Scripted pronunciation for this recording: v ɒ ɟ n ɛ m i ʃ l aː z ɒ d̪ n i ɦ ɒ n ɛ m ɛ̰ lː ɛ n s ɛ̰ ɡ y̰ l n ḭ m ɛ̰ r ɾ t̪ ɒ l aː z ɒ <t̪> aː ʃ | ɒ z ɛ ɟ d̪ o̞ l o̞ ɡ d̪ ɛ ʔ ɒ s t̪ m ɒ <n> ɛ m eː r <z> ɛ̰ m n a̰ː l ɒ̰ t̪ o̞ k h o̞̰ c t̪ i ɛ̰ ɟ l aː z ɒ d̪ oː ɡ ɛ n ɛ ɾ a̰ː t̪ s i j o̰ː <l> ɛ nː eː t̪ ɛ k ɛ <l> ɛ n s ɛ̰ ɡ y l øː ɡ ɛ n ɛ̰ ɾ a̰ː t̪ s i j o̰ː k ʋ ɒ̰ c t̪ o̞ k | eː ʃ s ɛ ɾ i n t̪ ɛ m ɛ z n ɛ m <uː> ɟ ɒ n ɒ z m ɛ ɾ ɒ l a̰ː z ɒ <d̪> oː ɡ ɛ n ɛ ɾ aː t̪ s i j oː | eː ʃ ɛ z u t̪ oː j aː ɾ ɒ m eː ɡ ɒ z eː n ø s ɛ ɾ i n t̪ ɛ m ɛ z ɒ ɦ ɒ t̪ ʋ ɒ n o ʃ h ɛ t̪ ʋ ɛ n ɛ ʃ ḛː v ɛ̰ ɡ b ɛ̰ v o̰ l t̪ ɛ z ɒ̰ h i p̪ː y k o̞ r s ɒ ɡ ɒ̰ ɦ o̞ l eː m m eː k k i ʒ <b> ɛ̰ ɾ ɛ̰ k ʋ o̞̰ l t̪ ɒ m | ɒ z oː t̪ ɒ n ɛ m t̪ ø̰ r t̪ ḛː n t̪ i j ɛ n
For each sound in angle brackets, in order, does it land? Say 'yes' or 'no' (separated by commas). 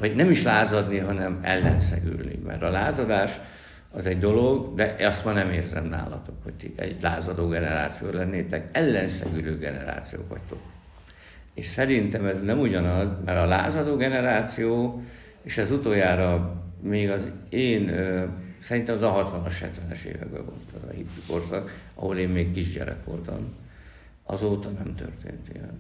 no, yes, yes, yes, no, no, yes, no